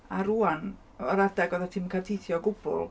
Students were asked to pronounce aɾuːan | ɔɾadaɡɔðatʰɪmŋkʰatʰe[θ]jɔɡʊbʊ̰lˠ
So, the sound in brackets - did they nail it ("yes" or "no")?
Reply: yes